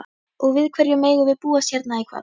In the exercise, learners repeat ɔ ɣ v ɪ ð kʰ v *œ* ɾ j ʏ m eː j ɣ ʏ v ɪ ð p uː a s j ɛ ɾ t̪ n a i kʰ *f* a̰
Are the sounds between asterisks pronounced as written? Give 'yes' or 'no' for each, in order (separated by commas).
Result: no, no